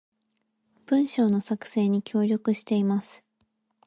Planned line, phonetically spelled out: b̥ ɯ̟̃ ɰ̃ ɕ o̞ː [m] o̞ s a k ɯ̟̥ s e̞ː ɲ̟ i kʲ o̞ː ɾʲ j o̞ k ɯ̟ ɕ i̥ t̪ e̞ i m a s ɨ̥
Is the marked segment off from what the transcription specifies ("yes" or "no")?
yes